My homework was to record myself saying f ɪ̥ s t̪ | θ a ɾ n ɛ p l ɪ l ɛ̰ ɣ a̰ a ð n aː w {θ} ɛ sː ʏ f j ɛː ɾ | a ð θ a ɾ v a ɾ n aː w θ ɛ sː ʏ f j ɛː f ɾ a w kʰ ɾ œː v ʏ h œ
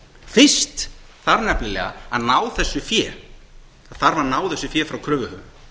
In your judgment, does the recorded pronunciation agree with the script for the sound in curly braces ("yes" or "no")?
yes